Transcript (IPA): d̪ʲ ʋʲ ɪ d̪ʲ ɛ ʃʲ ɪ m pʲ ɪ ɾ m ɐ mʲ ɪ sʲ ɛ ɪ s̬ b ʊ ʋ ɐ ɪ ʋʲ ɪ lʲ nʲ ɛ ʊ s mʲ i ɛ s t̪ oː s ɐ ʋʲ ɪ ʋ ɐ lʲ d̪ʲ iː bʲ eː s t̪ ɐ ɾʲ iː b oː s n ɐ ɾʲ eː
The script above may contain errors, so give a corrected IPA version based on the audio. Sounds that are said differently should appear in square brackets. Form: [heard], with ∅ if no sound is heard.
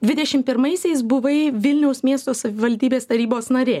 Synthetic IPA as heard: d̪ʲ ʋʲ ɪ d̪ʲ ɛ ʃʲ ɪ m pʲ ɪ ɾ m ɐ [∅] ɪ sʲ ɛ ɪ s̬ b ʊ ʋ ɐ ɪ ʋʲ ɪ lʲ nʲ ɛ ʊ s mʲ i ɛ s t̪ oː s ɐ ʋʲ ɪ ʋ ɐ lʲ d̪ʲ iː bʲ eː s t̪ ɐ ɾʲ iː b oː s n ɐ ɾʲ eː